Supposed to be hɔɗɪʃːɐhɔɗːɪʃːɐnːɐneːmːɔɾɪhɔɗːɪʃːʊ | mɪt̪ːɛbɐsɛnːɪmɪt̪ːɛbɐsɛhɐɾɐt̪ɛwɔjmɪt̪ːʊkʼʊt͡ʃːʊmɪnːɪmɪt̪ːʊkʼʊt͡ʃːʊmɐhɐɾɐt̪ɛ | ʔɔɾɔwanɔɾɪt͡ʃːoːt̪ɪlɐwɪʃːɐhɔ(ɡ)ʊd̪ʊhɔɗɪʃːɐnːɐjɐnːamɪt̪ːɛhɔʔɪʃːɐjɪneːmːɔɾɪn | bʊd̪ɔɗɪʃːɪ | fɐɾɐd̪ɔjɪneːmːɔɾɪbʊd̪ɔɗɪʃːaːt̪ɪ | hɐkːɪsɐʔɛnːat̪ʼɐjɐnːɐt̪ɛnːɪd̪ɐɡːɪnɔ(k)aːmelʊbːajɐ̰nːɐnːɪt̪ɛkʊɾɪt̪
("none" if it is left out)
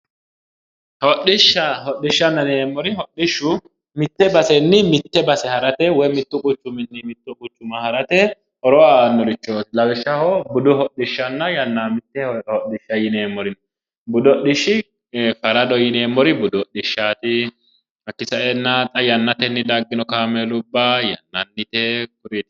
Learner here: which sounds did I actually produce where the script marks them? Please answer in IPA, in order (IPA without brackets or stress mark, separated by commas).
b, k